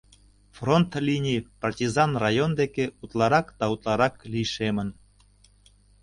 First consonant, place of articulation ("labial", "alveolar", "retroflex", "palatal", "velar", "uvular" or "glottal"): labial